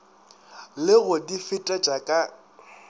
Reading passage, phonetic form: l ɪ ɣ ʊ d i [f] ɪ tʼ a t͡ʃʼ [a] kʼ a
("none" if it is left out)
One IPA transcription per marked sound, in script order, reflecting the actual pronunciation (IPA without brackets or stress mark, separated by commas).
f, a